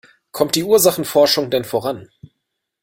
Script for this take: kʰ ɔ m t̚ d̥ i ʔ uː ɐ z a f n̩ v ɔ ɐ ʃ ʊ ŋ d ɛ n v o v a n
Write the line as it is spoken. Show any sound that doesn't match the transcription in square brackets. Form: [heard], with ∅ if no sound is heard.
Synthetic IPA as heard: kʰ ɔ m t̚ d̥ [iː] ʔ uː ɐ z a [χ] n̩ [f] ɔ ɐ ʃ ʊ ŋ d ɛ n [f] o [ʁ] a n